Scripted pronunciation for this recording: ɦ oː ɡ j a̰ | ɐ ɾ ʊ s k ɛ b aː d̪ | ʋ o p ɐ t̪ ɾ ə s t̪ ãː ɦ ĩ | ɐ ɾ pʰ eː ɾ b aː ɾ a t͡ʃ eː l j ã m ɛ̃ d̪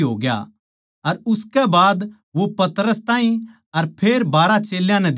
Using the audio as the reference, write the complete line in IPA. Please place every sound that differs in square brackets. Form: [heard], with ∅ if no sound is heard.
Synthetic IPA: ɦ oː ɡ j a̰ | ɐ ɾ ʊ s k ɛ b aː d̪ | ʋ o p ɐ t̪ ɾ ə s t̪ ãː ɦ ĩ | ɐ ɾ pʰ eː ɾ b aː ɾ a t͡ʃ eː l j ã [n] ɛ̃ d̪